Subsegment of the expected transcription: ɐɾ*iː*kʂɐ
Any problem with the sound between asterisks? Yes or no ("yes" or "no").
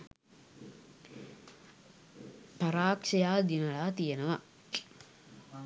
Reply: yes